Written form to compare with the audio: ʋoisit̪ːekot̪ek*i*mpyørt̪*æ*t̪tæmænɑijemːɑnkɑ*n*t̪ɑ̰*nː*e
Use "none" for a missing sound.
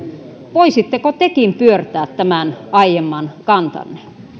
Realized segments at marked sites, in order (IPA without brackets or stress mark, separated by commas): i, æː, n, nː